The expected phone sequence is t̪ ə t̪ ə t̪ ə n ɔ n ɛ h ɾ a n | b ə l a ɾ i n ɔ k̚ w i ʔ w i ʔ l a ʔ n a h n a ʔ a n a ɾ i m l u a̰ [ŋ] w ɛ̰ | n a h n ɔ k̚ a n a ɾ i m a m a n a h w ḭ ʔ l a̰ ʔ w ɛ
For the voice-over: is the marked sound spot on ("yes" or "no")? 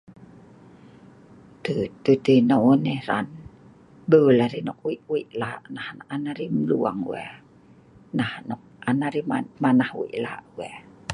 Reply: yes